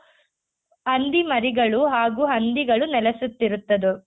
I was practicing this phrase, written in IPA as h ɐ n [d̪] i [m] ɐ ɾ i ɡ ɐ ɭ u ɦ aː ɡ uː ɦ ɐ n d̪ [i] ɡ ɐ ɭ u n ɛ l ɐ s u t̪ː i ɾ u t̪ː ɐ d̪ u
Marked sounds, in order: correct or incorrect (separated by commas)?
correct, correct, correct